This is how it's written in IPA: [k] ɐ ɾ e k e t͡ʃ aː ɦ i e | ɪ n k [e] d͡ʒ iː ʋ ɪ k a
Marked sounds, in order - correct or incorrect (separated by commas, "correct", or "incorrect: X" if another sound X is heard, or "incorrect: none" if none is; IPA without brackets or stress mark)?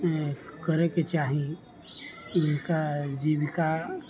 correct, incorrect: a